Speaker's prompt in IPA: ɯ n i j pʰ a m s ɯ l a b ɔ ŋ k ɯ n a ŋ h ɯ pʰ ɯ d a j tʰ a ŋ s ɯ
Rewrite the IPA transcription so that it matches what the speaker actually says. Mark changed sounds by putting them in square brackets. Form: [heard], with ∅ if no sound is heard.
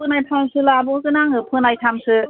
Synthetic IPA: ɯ n [a] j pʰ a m s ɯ l a b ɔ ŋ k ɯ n a ŋ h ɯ pʰ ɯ [n] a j tʰ a [m] s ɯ